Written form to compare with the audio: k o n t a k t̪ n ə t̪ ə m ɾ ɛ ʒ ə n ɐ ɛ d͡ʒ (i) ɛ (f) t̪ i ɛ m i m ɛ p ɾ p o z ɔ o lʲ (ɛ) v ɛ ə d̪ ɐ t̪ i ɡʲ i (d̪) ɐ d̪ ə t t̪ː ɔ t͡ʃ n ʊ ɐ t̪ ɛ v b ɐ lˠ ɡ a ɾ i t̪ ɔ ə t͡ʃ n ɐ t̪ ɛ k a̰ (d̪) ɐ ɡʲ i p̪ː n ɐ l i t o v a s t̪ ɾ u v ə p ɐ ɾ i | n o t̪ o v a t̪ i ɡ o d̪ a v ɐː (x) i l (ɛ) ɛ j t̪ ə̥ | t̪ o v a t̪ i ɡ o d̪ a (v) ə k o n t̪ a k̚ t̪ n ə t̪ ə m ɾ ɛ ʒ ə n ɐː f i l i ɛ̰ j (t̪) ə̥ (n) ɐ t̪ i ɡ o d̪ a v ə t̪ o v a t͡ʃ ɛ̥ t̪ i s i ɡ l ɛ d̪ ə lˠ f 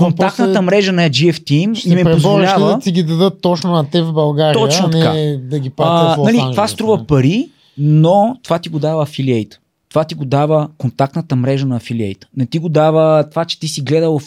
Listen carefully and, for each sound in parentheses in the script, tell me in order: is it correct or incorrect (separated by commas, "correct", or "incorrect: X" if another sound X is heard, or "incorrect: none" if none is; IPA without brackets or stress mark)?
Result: correct, correct, incorrect: a, correct, correct, incorrect: f, incorrect: i, correct, correct, correct